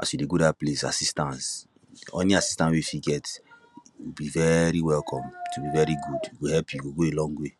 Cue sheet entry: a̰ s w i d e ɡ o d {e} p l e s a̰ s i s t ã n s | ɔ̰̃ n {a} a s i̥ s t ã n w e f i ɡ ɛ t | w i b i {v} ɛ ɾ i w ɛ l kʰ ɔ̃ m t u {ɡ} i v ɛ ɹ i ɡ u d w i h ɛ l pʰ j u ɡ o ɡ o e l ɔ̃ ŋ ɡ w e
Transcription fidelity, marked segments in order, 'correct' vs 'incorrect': incorrect, incorrect, correct, incorrect

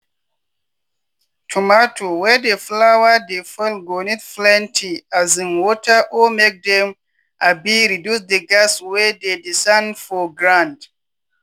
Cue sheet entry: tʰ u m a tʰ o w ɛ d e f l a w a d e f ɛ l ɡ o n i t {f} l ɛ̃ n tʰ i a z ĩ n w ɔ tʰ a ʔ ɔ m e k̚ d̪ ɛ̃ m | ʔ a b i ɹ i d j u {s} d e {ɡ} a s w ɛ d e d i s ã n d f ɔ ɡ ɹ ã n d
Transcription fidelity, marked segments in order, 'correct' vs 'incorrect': correct, correct, correct

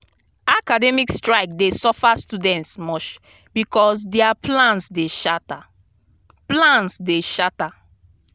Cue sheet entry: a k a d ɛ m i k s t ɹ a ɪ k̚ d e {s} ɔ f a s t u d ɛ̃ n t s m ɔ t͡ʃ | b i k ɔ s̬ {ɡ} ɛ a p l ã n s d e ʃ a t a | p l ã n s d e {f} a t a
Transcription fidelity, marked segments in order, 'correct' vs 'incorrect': correct, incorrect, incorrect

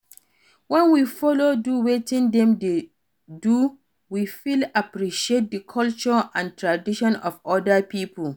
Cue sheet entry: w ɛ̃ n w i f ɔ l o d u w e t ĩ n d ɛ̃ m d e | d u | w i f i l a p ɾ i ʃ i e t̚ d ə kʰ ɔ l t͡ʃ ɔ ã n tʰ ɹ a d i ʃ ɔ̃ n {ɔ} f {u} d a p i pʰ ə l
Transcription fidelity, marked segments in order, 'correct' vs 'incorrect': correct, incorrect

